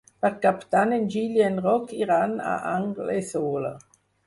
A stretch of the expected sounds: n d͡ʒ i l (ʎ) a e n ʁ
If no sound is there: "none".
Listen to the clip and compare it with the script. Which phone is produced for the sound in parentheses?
j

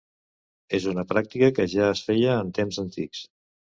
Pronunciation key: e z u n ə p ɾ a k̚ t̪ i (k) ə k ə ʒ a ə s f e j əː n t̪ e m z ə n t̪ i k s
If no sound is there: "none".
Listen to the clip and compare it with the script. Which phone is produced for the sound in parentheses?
k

